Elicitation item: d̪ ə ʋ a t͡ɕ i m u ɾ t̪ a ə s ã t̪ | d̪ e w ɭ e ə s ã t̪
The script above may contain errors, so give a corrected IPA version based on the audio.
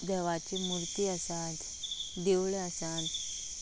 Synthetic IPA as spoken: d̪ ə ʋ a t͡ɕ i m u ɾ t̪ i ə s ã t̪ | d̪ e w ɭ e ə s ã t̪